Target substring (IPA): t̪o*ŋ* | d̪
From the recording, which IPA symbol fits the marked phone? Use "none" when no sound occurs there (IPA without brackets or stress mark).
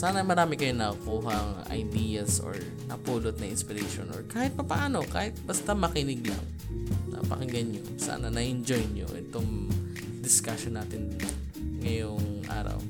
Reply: ŋ